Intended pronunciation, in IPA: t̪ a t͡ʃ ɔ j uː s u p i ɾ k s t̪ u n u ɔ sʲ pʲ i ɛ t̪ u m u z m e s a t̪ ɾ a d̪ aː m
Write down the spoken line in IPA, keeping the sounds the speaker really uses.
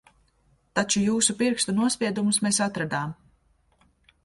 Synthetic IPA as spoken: t̪ a t͡ʃ u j uː s u p i ɾ k s t̪ u n u ɔ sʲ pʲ i ɛ d̪ u m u s m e s a t̪ ɾ a d̪ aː m